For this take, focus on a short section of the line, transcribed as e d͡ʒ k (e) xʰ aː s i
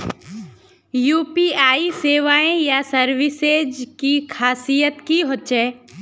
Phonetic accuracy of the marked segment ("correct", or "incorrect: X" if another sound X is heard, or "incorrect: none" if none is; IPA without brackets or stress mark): incorrect: i